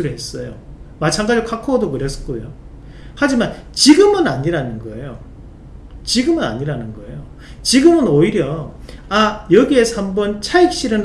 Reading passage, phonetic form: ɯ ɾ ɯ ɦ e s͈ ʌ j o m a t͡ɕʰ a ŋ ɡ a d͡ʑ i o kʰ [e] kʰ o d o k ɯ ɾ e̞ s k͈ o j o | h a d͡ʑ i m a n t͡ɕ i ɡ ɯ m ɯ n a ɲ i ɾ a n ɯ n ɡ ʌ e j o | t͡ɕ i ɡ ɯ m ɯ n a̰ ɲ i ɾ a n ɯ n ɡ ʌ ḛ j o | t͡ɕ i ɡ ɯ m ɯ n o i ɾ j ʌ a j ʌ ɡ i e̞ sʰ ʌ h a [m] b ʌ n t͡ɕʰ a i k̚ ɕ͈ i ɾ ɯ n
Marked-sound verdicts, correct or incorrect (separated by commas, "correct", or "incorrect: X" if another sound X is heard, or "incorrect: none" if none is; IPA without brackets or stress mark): incorrect: a, correct